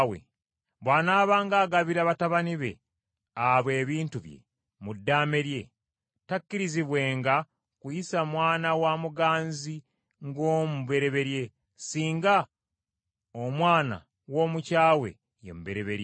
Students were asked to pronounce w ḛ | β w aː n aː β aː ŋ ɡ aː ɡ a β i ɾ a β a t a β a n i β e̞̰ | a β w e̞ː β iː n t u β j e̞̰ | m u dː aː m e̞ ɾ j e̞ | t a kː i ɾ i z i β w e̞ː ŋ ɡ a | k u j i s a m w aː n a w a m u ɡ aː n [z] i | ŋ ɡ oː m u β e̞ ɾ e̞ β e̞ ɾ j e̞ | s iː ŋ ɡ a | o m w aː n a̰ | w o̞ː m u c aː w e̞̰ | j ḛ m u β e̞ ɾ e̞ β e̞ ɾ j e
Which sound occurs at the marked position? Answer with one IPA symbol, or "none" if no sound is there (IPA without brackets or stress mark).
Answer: z